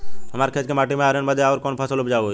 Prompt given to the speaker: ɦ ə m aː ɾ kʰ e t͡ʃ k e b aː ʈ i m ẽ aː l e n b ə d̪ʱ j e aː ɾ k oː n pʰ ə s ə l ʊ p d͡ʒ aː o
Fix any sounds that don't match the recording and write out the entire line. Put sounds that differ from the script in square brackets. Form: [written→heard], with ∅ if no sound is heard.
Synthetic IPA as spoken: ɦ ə m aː ɾ kʰ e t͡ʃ k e [b→m] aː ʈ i m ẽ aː [l→ɾ] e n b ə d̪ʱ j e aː ɾ k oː n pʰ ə s ə l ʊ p d͡ʒ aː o